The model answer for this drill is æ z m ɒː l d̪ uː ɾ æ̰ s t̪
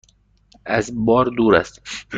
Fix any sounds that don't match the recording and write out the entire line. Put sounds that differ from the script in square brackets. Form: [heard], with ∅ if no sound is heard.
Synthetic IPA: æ z [b] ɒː [ɾ] d̪ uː ɾ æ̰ s t̪